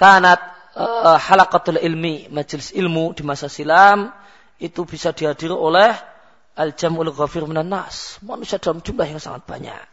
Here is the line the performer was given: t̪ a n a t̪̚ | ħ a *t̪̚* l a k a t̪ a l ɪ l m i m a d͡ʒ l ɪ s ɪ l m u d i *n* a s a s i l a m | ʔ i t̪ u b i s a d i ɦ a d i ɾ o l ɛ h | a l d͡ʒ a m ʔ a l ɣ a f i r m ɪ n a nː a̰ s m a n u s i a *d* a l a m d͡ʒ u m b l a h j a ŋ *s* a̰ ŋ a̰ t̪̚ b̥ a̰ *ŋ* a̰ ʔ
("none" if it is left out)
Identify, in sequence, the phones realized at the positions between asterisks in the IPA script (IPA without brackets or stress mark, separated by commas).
none, m, d, s, ɲ